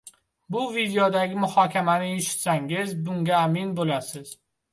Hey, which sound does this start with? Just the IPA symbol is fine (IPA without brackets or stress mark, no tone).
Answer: b